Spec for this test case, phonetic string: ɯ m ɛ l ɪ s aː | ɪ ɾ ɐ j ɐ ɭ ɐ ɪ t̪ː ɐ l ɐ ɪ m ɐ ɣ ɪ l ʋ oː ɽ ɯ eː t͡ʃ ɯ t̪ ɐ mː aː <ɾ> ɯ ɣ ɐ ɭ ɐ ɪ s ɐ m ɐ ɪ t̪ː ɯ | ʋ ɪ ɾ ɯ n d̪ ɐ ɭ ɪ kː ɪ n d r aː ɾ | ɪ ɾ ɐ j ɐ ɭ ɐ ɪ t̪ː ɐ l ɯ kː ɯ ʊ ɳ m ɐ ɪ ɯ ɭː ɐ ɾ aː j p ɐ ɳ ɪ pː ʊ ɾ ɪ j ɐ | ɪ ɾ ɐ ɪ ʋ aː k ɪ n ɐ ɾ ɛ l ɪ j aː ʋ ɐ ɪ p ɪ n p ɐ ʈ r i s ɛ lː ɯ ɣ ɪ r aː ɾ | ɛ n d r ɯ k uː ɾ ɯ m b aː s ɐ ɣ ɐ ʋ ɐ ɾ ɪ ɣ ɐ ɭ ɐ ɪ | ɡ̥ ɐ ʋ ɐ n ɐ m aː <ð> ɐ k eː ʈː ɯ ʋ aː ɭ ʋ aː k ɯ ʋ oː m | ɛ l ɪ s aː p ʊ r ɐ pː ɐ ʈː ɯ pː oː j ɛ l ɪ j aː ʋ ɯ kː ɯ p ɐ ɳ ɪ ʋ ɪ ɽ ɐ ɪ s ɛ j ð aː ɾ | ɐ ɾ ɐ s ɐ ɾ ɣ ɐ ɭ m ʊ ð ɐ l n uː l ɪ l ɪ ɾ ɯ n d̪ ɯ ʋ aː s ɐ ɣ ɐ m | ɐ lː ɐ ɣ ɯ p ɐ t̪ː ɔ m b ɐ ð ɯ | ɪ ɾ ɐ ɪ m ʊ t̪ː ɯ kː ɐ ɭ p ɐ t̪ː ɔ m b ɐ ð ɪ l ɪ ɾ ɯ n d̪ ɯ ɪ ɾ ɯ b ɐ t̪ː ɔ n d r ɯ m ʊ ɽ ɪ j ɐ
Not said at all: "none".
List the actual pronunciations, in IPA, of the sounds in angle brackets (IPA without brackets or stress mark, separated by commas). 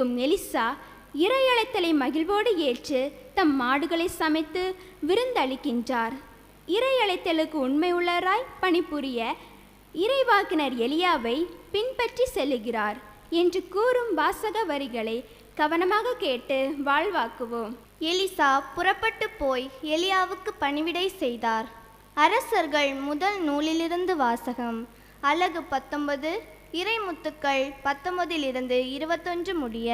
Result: ɽ, ɣ